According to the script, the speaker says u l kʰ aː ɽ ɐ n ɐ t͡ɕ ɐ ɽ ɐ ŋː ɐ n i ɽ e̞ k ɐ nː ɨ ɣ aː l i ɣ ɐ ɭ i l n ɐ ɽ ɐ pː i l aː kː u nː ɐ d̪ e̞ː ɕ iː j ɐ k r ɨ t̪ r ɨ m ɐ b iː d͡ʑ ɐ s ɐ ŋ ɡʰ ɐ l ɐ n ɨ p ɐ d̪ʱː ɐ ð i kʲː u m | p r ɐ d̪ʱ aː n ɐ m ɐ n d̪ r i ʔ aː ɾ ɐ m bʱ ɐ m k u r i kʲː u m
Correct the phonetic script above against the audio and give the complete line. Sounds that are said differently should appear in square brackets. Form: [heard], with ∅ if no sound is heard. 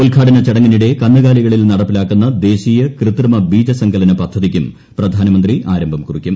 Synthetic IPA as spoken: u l kʰ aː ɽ ɐ n ɐ t͡ɕ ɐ ɽ ɐ ŋː ɐ n i ɽ e̞ k ɐ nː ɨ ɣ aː l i ɣ ɐ ɭ i l n ɐ ɽ ɐ pː i l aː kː u nː ɐ d̪ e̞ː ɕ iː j ɐ k r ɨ t̪ r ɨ m ɐ b iː d͡ʑ ɐ s ɐ ŋ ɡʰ ɐ l ɐ n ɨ p ɐ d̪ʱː ɐ ð i kʲː u m | p r ɐ d̪ʱ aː n ɐ m ɐ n d̪ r i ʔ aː ɾ ɐ m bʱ ɐ m k u r i kʲː u m